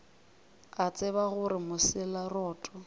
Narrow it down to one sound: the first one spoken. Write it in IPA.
a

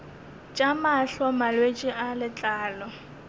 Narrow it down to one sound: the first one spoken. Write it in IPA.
t͡ʃʼ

